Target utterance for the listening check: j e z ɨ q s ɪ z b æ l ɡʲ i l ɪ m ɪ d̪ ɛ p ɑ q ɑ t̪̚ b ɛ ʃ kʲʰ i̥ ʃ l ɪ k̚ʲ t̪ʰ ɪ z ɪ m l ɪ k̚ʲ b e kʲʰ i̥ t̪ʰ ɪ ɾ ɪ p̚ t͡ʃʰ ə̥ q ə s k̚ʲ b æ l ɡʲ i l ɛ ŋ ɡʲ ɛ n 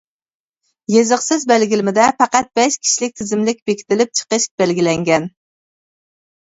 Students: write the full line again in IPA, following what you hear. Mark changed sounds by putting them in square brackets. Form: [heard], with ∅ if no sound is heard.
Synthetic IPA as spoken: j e z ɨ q s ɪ z b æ l ɡʲ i l ɪ m ɪ d̪ ɛ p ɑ q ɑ t̪̚ b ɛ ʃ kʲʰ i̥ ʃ l ɪ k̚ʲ t̪ʰ ɪ z ɪ m l ɪ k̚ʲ b e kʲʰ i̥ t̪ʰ ɪ [l] ɪ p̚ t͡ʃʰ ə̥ q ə [ʃ] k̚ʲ b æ l ɡʲ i l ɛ ŋ ɡʲ ɛ n